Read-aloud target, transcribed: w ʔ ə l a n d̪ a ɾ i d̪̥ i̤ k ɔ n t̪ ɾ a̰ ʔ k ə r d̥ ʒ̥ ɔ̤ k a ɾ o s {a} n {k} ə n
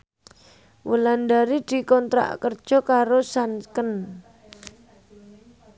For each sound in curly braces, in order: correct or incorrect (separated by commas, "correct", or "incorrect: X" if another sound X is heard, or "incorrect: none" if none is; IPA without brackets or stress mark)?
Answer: correct, correct